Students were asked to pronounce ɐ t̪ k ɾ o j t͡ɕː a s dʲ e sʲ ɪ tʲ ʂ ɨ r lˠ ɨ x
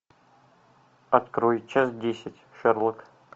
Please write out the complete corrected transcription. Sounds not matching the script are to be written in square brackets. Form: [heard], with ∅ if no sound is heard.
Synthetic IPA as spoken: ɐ t̪ k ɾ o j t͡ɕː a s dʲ e sʲ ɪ tʲ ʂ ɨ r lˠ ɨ [k]